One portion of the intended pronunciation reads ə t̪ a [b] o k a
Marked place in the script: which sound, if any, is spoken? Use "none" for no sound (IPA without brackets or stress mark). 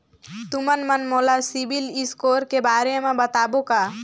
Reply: b